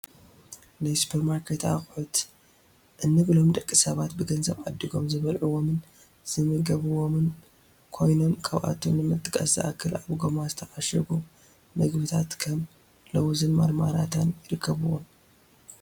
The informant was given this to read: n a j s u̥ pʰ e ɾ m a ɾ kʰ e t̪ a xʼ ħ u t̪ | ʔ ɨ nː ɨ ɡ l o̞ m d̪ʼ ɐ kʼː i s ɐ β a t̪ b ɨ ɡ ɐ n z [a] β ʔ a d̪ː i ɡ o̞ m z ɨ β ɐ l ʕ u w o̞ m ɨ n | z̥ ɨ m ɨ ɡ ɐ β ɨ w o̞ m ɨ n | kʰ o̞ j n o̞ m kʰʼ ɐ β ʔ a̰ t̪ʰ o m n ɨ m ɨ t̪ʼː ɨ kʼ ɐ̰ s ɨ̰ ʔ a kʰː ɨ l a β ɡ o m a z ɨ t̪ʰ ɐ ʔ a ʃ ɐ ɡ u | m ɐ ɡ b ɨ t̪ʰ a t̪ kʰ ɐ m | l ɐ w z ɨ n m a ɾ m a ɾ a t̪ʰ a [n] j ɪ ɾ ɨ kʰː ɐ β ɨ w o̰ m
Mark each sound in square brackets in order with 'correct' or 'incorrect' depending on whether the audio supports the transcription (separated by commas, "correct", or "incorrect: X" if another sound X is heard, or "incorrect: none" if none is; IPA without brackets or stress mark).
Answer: incorrect: ɐ, correct